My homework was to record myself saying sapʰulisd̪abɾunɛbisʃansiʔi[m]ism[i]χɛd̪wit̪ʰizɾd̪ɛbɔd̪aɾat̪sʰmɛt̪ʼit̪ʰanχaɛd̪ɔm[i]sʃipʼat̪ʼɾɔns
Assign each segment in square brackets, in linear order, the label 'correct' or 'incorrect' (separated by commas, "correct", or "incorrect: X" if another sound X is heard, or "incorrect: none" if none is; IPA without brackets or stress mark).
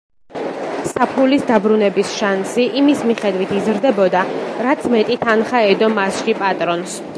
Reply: correct, correct, incorrect: a